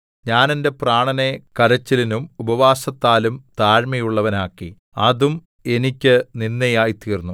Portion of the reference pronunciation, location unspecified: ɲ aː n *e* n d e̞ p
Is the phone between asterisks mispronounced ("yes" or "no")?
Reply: no